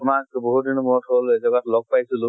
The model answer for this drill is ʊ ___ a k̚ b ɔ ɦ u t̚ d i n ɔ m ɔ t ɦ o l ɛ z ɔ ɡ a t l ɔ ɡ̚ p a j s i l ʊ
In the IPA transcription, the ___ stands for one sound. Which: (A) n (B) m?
B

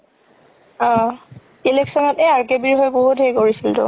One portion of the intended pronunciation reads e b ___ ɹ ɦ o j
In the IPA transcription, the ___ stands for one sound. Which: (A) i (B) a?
A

